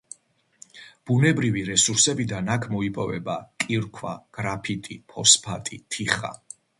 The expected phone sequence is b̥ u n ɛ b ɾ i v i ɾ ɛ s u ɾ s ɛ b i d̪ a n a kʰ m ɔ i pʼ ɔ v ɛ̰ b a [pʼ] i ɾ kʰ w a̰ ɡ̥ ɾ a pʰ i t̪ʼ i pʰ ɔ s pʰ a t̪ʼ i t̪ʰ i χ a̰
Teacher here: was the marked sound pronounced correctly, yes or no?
no